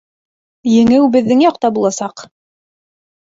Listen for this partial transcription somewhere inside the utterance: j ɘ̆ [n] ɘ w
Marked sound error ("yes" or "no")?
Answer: yes